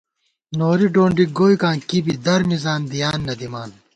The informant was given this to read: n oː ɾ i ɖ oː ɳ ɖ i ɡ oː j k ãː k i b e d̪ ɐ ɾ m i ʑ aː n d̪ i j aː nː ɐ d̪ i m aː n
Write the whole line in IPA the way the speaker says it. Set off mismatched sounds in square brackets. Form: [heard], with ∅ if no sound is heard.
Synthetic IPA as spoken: n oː ɾ i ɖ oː ɳ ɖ i ɡ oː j k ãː k i b [i] d̪ ɐ ɾ m i [z] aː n d̪ i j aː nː ɐ d̪ i m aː n